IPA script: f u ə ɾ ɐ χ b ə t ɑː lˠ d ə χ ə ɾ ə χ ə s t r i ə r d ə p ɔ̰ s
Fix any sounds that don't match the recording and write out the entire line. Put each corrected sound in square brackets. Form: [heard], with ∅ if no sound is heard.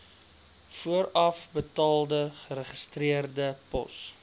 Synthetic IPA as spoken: f u ə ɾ ɐ [f] b ə t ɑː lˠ d ə χ ə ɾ ə χ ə s t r i ə r d ə p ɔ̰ s